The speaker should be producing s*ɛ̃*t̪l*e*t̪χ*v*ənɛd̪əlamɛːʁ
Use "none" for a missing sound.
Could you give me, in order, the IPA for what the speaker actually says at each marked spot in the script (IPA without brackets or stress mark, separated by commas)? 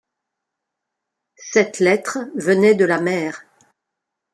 ɛ, ɛ, v